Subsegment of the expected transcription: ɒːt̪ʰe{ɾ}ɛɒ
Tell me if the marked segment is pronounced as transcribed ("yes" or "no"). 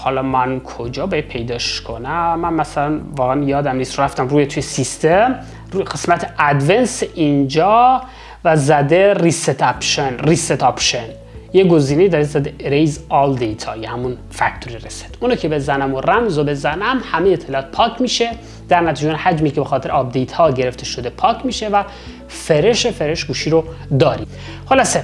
yes